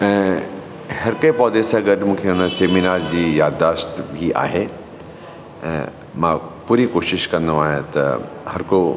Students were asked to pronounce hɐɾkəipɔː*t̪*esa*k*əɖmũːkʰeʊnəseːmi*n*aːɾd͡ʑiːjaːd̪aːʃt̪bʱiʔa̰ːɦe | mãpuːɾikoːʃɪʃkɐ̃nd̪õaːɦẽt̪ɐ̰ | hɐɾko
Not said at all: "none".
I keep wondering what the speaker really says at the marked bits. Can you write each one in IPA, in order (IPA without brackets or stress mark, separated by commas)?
d̪, ɡ, n